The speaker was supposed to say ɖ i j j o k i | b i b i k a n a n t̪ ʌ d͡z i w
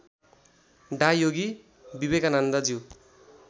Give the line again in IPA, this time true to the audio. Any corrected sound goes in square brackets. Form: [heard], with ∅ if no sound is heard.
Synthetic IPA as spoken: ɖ [a] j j o [ɡ] i | b i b [e] k a n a n [d̪] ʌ d͡z i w